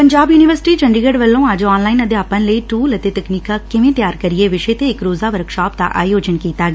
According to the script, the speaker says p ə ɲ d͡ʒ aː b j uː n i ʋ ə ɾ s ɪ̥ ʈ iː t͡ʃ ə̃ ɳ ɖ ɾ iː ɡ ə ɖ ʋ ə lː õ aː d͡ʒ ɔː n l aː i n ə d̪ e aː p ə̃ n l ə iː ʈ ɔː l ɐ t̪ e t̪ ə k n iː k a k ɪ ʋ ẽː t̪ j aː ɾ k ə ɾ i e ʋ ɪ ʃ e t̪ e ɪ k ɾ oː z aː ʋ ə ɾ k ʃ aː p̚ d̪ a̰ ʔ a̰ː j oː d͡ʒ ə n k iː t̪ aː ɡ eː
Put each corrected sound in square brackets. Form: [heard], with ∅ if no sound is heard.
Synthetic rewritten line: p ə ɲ d͡ʒ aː b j uː n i ʋ ə ɾ s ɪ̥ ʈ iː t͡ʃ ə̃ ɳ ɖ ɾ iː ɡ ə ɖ ʋ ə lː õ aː d͡ʒ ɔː n l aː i n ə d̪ e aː p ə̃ n l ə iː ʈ [uː] l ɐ t̪ e t̪ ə k n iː k a k ɪ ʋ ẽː t̪ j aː ɾ k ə ɾ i e ʋ ɪ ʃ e t̪ e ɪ k ɾ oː z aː ʋ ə ɾ k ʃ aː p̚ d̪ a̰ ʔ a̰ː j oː d͡ʒ ə n k iː t̪ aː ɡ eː

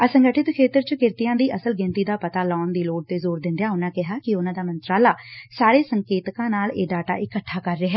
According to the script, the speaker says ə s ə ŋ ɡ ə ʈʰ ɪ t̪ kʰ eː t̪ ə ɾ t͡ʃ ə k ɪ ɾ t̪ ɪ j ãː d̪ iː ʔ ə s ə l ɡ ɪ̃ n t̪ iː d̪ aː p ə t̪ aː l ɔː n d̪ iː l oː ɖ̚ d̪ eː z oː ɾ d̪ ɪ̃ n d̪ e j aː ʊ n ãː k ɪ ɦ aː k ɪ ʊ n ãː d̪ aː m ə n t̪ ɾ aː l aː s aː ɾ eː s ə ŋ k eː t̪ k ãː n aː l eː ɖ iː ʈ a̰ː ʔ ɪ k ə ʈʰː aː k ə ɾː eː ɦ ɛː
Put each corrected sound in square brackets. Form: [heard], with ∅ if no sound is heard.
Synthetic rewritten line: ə s ə ŋ ɡ ə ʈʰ ɪ t̪ kʰ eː t̪ ə ɾ t͡ʃ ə k ɪ ɾ t̪ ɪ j ãː d̪ iː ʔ ə s ə l ɡ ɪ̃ n t̪ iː d̪ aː p ə t̪ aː l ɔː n d̪ iː l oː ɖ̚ [t̪] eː z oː ɾ d̪ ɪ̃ n d̪ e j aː ʊ n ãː k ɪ ɦ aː k ɪ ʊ n ãː d̪ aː m ə n t̪ ɾ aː l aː s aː ɾ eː s ə ŋ k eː t̪ k ãː n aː l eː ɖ [aː] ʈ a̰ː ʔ ɪ k ə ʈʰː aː k ə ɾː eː ɦ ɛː

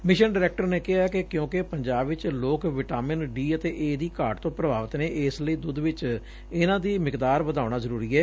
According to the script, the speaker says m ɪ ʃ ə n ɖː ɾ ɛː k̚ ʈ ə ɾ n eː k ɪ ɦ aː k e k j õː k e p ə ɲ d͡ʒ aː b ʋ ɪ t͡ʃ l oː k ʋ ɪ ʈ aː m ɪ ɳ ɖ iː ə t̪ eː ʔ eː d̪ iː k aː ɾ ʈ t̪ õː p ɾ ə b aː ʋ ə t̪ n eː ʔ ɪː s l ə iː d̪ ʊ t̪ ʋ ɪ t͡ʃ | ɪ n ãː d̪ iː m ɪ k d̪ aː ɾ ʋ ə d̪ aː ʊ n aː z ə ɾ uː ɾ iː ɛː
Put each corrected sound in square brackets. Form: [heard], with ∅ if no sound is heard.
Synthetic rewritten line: m ɪ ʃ ə n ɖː ɾ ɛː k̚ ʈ ə ɾ n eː k ɪ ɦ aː k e k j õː k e p ə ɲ d͡ʒ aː b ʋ ɪ t͡ʃ l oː k ʋ ɪ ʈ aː m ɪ [n] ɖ iː ə t̪ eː ʔ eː d̪ iː k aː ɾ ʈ t̪ õː p ɾ ə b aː ʋ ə t̪ n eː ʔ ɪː s l ə iː d̪ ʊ [d̪] ʋ ɪ t͡ʃ | ɪ n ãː d̪ iː m ɪ k d̪ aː ɾ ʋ ə d̪ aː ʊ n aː z ə ɾ uː ɾ iː ɛː

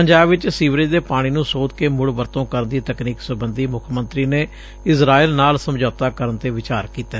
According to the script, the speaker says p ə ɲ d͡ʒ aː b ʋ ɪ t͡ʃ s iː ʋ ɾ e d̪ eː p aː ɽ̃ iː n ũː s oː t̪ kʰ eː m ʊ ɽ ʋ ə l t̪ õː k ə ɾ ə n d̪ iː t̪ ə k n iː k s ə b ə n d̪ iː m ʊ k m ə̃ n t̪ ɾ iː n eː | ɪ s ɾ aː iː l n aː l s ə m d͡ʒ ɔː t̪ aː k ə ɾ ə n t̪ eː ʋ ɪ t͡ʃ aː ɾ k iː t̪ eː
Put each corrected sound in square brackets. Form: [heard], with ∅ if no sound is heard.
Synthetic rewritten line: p ə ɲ d͡ʒ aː b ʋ ɪ t͡ʃ s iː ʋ ɾ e d̪ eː p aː ɽ̃ iː n ũː s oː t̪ [k] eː m ʊ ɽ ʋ ə [ɾ] t̪ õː k ə ɾ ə n d̪ iː t̪ ə k n iː k s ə b ə n d̪ iː m ʊ [kʰ] m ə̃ n t̪ ɾ iː n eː | ɪ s ɾ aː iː l n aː l s ə m d͡ʒ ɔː t̪ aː k ə ɾ ə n t̪ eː ʋ ɪ t͡ʃ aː ɾ k iː t̪ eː

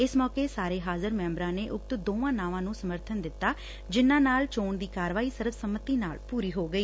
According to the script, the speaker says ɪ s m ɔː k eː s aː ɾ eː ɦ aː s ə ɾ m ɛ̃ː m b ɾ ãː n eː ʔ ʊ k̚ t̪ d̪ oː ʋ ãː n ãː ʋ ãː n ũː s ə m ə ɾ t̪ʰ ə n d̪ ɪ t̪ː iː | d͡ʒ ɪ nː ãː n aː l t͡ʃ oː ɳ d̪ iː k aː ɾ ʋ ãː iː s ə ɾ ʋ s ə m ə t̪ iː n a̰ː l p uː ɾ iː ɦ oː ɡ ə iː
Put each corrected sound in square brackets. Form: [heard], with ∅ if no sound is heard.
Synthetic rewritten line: ɪ s m ɔː k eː s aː ɾ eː ɦ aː [z] ə ɾ m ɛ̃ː m b ɾ ãː n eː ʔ ʊ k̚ t̪ d̪ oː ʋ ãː n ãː ʋ ãː n ũː s ə m ə ɾ t̪ʰ ə n d̪ ɪ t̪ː [aː] | d͡ʒ ɪ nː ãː n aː l t͡ʃ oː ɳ d̪ iː k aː ɾ ʋ [aː] iː s ə ɾ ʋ s ə m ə t̪ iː n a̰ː l p uː ɾ iː ɦ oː ɡ ə iː

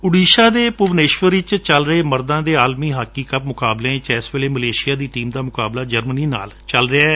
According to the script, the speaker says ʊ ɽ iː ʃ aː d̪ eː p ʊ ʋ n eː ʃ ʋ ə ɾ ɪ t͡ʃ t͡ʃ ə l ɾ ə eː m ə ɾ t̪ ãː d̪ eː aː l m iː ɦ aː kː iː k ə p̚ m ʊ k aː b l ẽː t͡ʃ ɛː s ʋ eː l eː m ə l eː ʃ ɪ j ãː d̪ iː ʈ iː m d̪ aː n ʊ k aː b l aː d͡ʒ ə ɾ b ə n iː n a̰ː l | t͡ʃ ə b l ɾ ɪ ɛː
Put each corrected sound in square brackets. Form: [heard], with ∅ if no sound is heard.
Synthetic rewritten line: ʊ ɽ iː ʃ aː d̪ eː p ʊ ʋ n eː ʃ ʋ ə ɾ ɪ t͡ʃ t͡ʃ ə l ɾ ə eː m ə ɾ [d̪] ãː d̪ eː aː l m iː ɦ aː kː iː k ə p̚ m ʊ k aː b l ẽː t͡ʃ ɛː s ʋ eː l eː m ə l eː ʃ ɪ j [aː] d̪ iː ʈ iː m d̪ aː [m] ʊ k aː b l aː d͡ʒ ə ɾ [m] ə n iː n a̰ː l | t͡ʃ ə [∅] l ɾ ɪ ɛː

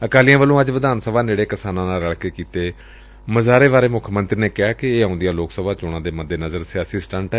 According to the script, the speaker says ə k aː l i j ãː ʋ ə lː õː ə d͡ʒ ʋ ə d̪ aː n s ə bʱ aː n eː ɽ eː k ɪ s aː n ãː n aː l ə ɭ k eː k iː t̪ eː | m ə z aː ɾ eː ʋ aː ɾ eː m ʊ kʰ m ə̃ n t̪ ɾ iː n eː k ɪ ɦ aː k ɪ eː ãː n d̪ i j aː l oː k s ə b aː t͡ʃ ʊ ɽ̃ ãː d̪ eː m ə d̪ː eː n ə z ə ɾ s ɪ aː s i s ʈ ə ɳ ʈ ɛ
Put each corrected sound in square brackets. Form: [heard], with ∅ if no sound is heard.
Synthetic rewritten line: ə k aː l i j ãː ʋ ə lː õː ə d͡ʒ ʋ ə d̪ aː n s ə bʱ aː n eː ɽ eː k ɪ s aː n ãː n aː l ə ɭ k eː k iː t̪ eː | m ə z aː ɾ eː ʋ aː ɾ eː m ʊ kʰ m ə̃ n t̪ ɾ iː n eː k ɪ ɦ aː k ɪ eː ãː n d̪ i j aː l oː k s ə b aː t͡ʃ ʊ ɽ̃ ãː d̪ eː m ə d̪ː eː n ə z ə ɾ s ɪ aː s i s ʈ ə ɳ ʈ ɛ

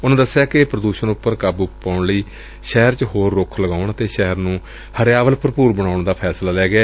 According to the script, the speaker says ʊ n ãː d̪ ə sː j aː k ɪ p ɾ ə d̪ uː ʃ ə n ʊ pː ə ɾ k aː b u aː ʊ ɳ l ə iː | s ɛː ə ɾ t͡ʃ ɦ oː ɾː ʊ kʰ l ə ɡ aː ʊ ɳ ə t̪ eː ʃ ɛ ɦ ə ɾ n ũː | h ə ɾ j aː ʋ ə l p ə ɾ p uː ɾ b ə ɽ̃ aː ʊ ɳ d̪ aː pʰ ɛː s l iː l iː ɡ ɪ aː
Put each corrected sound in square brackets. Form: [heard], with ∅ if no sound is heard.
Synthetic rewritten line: ʊ n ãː d̪ ə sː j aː k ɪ p ɾ ə d̪ uː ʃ ə n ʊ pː ə ɾ k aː b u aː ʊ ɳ l ə iː | [ʃ] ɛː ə ɾ t͡ʃ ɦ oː ɾː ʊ kʰ l ə ɡ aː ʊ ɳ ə t̪ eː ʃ ɛ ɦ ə ɾ n ũː | h ə ɾ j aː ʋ ə l p ə ɾ p uː ɾ b ə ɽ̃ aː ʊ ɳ d̪ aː pʰ ɛː s l [aː] l [ɛː] ɡ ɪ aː

